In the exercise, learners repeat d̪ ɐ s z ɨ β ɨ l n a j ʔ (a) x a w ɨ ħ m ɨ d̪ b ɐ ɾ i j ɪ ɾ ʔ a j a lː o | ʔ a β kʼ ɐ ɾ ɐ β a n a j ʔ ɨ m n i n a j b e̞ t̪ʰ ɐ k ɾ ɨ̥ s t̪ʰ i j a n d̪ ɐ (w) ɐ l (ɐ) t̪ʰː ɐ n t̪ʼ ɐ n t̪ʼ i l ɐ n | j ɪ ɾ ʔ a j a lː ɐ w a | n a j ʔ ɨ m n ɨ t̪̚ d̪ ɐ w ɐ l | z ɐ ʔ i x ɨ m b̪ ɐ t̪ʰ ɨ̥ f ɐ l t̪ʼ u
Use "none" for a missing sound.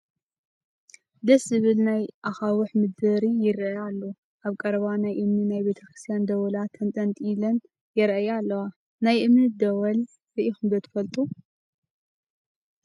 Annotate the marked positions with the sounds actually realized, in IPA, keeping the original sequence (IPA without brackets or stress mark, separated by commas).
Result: a, w, a